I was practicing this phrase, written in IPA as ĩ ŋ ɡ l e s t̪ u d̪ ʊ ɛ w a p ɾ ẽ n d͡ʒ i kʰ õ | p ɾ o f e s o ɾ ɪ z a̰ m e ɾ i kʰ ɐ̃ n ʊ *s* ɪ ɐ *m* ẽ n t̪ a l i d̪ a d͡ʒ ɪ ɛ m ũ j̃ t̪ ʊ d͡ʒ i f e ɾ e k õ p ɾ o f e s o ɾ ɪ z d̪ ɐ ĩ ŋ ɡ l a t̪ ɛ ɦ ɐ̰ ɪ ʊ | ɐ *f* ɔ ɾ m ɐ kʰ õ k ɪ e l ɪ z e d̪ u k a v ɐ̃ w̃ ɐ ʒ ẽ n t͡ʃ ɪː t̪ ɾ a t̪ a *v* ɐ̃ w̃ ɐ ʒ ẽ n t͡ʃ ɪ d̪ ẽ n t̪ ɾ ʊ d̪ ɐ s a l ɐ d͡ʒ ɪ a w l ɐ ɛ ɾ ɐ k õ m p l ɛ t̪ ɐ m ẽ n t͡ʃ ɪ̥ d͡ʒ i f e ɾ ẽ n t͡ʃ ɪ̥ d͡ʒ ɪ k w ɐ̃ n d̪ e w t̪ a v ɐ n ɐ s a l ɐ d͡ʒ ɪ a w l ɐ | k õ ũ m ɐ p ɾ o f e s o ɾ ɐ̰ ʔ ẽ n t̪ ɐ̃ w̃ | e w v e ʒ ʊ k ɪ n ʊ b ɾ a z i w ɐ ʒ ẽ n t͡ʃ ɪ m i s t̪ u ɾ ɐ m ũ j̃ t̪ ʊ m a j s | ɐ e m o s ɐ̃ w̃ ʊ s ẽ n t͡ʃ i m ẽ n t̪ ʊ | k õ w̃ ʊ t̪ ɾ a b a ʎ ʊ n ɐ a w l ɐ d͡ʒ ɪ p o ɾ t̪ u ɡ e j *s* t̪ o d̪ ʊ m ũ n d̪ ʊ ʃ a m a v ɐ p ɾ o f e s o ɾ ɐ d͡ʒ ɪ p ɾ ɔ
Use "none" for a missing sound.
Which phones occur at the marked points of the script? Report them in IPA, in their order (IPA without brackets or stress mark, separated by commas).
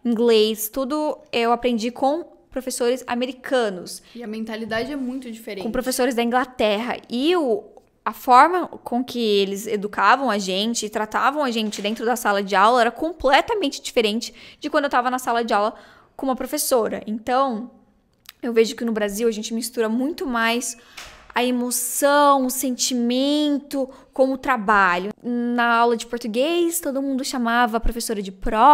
s, m, f, v, s